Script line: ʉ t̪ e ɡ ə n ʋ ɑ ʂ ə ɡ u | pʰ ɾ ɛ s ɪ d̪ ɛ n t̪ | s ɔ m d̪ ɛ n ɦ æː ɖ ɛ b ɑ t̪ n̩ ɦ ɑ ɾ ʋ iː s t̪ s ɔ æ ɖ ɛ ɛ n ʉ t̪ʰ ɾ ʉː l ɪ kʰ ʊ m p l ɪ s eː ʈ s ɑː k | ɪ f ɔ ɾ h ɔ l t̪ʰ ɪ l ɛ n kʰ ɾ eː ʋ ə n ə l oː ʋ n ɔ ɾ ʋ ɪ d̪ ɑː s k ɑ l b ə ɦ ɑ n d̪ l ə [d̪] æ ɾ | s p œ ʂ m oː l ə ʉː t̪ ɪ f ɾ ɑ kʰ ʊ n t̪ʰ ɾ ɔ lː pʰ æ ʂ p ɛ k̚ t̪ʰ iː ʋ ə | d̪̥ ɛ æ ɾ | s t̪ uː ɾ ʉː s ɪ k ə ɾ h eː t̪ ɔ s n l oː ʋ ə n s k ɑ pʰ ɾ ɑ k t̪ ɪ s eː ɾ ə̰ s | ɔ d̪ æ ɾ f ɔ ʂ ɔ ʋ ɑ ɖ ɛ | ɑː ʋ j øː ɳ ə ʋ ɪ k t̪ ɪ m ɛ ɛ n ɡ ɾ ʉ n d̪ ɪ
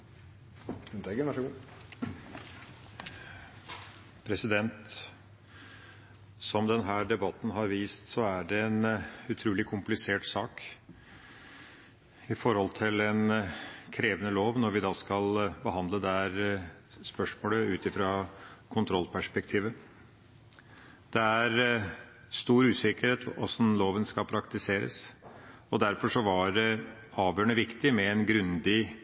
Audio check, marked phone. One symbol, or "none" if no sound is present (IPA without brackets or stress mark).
d̪